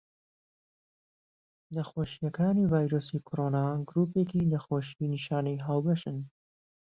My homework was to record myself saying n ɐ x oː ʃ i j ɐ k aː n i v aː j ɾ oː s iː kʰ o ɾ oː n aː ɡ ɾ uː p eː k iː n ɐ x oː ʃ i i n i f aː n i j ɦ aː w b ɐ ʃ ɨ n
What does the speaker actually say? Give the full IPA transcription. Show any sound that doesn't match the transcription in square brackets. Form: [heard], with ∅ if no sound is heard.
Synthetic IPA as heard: n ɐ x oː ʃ i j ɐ k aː n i v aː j ɾ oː s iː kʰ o ɾ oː n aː ɡ ɾ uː p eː k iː n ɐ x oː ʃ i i n i [ʃ] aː n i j ɦ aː w b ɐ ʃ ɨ n